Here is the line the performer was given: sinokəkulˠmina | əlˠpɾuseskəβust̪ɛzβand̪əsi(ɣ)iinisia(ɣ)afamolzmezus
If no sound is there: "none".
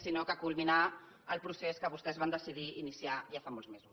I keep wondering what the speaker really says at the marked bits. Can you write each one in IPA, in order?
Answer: ð, ʒ

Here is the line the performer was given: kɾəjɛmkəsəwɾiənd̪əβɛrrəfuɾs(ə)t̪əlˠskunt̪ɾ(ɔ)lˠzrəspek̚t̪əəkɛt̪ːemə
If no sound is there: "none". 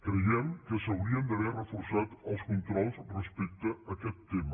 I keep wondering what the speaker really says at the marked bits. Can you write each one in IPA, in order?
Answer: a, ɔ

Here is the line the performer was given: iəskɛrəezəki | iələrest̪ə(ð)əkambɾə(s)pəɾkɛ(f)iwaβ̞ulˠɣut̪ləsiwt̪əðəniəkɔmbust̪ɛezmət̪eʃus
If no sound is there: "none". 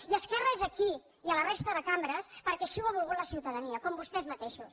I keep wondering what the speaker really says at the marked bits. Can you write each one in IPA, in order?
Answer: ð, s, ʃ

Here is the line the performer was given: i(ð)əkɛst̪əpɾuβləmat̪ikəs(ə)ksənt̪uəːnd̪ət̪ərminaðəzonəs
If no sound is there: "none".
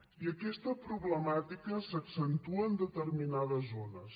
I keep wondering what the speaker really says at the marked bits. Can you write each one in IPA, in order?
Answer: none, ə

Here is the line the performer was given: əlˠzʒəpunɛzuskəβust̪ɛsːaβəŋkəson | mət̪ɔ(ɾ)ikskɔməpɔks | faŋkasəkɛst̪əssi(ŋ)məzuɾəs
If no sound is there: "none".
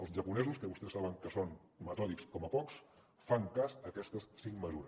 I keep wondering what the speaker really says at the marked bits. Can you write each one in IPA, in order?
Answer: l, ŋ

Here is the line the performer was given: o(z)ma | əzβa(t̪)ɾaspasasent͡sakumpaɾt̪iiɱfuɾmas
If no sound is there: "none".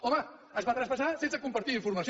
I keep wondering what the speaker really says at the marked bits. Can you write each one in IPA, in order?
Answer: none, t̪

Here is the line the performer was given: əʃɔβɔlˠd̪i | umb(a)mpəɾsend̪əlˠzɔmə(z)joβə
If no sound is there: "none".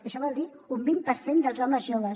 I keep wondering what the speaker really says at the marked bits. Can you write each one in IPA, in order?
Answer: i, z

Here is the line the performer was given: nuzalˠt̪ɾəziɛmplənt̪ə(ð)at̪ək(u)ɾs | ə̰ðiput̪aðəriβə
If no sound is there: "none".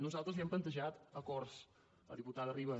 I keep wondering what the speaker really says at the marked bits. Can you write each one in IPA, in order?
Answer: ʒ, ɔ

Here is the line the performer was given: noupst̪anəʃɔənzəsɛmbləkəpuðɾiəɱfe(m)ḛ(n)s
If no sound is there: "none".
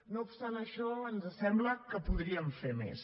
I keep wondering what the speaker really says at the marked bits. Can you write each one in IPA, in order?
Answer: m, none

